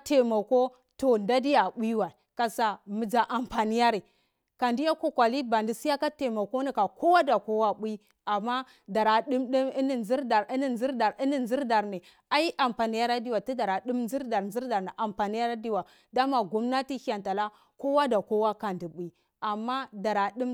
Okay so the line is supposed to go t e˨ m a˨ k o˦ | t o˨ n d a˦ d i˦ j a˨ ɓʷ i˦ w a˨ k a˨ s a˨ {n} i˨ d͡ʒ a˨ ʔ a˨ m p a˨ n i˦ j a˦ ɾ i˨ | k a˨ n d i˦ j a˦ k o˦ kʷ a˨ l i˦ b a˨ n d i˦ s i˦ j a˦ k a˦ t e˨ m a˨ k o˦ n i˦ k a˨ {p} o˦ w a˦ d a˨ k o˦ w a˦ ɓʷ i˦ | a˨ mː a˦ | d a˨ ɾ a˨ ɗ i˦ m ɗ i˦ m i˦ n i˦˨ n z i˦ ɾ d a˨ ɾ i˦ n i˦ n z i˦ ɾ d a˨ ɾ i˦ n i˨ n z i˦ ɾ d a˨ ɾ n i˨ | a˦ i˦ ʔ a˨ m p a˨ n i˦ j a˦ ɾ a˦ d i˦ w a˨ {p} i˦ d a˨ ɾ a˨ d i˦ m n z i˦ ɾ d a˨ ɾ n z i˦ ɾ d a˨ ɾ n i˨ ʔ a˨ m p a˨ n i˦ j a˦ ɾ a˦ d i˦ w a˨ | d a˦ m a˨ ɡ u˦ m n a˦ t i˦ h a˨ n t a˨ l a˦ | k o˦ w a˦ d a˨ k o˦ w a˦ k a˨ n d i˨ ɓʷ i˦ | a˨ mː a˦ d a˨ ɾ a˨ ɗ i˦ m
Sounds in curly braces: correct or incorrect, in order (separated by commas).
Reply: incorrect, incorrect, incorrect